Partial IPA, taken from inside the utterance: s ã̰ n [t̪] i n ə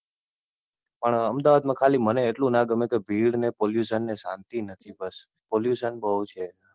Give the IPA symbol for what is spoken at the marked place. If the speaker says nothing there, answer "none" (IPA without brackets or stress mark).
t̪